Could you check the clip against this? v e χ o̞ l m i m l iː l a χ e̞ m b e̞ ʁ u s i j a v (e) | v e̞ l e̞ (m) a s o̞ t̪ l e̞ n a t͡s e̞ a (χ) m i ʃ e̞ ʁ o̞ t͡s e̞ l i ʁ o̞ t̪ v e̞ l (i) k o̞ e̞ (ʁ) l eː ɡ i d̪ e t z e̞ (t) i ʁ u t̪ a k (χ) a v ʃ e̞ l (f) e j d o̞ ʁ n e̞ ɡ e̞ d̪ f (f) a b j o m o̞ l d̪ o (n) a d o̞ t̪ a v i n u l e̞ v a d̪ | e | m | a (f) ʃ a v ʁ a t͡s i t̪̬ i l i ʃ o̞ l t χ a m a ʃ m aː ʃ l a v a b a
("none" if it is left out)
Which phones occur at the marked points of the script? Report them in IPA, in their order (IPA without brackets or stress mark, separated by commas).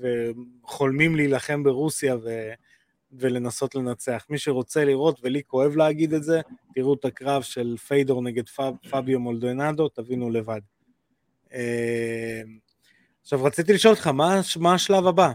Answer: e, n, χ, i, v, t, ʁ, f, f, n, χ